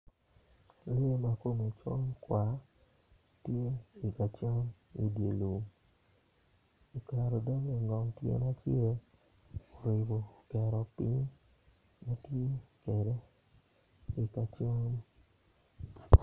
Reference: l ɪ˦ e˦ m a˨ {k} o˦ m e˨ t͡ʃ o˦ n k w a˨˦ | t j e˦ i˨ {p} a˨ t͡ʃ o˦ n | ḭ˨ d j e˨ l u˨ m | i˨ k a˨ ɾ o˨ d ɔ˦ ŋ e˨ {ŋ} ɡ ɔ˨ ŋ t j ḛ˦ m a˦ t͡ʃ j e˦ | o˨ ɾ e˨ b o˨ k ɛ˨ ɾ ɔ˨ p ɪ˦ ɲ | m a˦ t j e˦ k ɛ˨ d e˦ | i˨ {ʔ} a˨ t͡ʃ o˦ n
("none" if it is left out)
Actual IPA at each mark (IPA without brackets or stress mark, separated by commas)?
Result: k, k, ŋ, k